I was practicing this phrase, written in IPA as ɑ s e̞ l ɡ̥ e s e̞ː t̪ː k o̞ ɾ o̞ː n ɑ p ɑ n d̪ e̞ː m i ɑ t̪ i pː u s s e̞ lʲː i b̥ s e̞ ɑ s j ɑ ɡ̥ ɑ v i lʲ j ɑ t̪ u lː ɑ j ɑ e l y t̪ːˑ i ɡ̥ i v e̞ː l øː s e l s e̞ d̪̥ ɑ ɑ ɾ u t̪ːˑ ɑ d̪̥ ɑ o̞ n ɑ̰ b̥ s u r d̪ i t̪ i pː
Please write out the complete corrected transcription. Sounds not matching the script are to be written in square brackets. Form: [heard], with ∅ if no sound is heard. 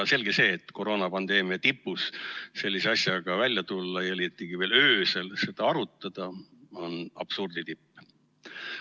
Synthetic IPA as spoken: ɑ s e̞ l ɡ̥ e s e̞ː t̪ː k o̞ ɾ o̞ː n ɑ p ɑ n d̪ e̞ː m i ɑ t̪ i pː u s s e̞ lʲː i [∅] s e̞ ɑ s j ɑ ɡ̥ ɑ v [æ] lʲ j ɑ t̪ u lː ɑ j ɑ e l [i] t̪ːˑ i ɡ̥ i v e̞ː l øː s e l s e̞ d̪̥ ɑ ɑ ɾ u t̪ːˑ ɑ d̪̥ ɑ o̞ n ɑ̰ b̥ s u r d̪ i t̪ i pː